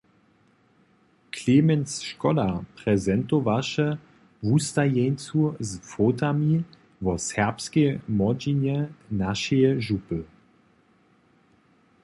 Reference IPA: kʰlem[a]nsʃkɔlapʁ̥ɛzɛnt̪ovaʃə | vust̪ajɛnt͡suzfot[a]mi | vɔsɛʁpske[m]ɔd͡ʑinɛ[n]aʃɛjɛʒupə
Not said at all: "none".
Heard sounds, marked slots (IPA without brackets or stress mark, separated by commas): ɛ, a, m, n